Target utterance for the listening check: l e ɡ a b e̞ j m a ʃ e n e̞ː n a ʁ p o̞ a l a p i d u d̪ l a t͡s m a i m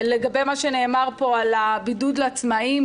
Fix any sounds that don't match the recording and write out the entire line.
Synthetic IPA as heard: l e ɡ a b e̞ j m a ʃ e n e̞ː m a ʁ p o̞ a l a b i d u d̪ l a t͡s m a i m